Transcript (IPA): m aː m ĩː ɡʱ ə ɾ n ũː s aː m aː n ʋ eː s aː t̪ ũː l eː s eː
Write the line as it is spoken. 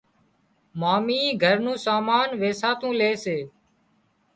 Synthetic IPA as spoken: m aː m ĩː ɡʱ ə ɾ n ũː s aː m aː n ʋ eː s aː t̪ ũː l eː s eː